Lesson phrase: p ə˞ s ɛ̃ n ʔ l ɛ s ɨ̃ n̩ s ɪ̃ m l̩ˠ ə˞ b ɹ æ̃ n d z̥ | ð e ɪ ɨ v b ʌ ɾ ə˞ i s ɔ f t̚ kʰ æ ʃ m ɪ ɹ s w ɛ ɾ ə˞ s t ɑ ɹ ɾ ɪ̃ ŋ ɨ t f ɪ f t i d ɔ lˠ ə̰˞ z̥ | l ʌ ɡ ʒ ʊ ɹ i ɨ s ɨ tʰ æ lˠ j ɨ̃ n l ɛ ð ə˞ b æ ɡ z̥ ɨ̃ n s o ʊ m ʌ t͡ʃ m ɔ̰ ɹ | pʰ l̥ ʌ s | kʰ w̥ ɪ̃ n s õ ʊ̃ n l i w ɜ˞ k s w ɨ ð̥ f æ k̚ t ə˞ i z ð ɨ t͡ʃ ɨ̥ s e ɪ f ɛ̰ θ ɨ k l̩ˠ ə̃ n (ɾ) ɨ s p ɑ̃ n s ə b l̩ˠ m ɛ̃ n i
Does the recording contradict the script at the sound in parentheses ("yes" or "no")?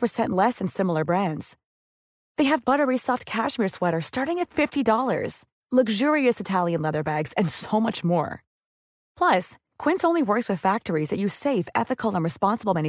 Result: yes